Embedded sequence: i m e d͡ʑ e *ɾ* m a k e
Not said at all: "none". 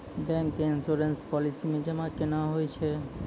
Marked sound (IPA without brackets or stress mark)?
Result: none